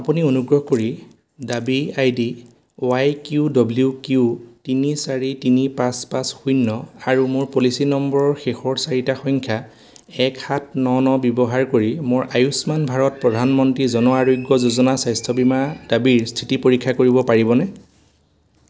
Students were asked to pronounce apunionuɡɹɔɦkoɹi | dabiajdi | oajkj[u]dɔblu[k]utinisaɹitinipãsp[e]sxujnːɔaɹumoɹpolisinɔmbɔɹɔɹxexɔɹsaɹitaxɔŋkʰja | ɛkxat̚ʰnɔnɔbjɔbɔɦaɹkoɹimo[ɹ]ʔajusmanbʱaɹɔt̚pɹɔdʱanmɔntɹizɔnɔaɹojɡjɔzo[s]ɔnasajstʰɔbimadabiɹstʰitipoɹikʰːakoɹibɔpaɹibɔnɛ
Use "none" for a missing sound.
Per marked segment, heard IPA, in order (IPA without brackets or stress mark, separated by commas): u, k, a, ɹ, z